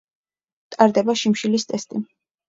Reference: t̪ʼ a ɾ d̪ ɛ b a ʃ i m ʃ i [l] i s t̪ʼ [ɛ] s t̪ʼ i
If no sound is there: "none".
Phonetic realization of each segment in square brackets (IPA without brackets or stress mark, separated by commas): l, ɛ